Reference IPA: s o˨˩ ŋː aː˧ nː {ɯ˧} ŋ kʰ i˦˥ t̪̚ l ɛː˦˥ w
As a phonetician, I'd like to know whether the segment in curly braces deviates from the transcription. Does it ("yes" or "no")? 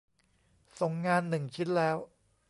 yes